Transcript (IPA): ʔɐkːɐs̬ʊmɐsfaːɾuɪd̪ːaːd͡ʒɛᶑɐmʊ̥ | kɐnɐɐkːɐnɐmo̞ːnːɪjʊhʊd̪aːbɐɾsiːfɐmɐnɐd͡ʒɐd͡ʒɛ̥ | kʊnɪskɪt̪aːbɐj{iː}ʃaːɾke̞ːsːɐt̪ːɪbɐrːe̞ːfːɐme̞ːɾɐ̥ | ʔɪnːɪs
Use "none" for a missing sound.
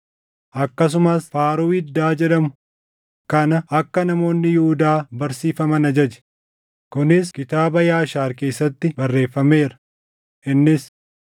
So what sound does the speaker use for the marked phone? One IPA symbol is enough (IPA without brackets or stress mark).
aː